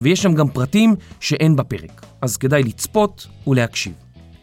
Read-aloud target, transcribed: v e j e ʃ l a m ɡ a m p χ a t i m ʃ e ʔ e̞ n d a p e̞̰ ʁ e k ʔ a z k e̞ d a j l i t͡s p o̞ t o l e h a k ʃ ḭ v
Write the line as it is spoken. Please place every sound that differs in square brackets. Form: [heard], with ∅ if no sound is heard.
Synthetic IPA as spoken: v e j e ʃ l a m ɡ a m p [ʁ] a t i m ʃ e ʔ e̞ n [b] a p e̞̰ ʁ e k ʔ a z k e̞ d a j l i t͡s p o̞ t [u] l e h a k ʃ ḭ v